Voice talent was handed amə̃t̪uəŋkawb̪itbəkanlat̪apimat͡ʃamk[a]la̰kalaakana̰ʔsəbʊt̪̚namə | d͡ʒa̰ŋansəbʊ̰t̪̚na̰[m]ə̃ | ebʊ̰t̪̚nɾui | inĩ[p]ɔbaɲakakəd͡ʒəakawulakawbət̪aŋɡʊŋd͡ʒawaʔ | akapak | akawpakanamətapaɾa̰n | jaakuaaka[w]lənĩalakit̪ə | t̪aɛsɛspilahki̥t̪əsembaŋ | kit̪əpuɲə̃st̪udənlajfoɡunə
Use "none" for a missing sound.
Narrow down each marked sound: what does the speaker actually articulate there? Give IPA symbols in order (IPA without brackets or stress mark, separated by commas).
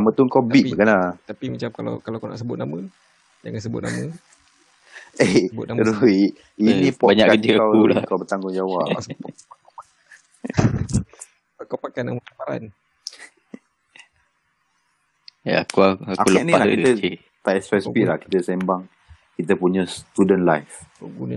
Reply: a, m, p, u